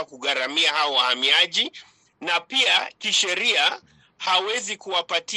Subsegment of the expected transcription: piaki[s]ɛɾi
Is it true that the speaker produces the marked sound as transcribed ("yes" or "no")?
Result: no